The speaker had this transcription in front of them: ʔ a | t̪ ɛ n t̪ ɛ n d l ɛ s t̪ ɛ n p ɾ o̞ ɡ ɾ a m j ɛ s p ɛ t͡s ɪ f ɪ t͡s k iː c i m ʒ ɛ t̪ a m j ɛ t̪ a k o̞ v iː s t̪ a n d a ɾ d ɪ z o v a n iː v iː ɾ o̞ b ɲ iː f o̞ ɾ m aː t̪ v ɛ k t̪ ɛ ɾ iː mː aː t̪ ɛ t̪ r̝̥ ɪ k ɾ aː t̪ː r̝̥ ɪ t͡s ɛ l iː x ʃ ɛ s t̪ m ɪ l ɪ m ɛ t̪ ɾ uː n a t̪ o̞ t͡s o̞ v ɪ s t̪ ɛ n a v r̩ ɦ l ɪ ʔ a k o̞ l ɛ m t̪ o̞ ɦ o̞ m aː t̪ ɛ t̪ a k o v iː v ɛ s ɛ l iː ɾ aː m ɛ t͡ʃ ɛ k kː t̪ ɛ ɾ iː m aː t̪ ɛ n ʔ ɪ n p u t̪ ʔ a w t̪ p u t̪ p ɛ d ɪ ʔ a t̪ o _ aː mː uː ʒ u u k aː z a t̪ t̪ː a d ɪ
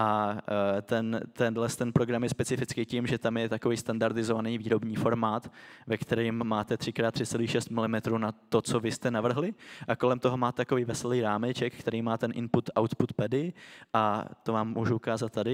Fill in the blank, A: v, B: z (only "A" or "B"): A